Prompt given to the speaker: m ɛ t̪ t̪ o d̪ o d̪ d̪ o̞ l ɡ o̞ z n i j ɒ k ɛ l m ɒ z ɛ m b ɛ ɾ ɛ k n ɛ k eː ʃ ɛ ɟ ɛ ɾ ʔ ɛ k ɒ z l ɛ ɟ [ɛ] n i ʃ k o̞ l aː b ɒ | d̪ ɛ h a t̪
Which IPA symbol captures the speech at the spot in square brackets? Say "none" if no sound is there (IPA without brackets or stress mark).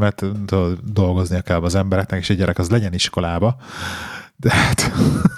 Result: ɛ